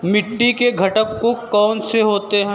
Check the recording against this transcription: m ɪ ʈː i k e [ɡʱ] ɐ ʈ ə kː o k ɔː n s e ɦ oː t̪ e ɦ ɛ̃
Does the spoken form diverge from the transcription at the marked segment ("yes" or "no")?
no